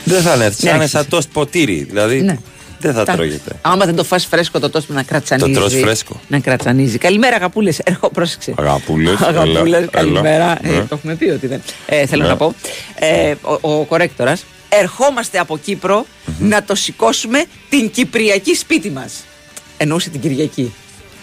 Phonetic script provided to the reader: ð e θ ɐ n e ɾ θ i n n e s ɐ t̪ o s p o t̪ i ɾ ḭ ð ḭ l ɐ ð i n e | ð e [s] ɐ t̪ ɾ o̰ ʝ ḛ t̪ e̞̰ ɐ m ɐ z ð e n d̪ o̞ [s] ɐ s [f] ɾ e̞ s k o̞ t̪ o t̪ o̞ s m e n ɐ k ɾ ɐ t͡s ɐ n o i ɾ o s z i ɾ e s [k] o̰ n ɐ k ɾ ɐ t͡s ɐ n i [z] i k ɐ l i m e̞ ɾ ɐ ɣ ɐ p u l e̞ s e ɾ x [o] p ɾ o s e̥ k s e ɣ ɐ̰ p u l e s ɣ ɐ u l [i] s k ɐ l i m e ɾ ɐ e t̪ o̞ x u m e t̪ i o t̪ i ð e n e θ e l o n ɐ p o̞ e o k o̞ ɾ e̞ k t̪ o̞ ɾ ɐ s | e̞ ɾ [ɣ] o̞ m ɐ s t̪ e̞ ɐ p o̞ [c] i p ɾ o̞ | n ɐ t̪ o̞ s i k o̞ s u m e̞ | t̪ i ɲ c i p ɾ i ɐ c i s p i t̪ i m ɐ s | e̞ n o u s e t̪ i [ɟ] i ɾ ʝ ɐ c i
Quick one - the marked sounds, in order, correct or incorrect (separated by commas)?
incorrect, incorrect, correct, correct, correct, correct, incorrect, incorrect, correct, correct